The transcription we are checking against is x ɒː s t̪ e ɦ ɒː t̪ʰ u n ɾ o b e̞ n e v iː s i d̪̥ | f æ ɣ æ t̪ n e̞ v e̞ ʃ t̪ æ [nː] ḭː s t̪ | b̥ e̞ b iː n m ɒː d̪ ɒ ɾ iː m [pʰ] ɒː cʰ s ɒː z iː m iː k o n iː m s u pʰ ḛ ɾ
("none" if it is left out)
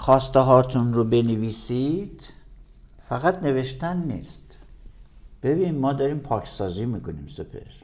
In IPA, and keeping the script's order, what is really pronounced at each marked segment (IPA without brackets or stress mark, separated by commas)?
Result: nː, pʰ